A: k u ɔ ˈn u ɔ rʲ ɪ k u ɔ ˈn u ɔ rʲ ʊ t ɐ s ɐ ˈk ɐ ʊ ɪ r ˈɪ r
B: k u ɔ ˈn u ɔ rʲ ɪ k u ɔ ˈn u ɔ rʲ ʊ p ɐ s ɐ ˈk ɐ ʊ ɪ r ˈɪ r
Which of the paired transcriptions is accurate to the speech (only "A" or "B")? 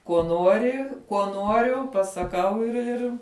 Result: B